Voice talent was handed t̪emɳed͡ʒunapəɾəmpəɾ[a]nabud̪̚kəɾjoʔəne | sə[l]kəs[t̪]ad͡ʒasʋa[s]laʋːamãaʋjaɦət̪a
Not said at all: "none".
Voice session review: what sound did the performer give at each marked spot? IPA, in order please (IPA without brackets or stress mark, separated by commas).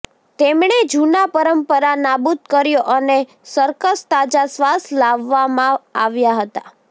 a, ɾ, t̪, s